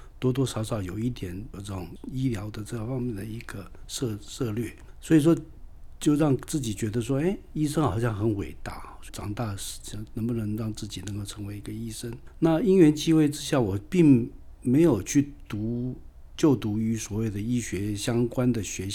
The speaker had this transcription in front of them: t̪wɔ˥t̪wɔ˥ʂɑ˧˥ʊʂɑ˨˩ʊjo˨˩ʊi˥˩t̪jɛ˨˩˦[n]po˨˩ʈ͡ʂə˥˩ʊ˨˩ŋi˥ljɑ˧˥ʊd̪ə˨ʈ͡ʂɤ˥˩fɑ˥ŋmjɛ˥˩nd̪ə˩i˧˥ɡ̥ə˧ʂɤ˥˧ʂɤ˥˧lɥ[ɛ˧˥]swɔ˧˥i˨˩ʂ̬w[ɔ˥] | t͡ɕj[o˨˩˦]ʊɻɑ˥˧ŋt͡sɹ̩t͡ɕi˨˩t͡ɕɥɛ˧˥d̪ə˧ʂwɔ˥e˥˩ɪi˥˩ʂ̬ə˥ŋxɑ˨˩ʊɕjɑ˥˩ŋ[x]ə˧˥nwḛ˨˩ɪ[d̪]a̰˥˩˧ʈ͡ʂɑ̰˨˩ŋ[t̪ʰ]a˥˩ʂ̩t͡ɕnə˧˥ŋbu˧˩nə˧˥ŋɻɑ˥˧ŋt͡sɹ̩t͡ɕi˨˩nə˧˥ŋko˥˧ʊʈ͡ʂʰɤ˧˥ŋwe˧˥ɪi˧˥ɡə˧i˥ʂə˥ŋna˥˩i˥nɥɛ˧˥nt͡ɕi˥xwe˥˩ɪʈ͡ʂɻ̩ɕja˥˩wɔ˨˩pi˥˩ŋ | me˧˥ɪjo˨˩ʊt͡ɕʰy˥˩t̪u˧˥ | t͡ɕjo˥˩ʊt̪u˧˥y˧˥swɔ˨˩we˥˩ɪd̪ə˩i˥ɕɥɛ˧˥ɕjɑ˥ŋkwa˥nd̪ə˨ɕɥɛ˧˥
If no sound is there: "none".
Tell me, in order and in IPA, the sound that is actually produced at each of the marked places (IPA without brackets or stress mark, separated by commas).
n, ɛ˥˩, ɔ˥, o˥˧, x, t̪, t̪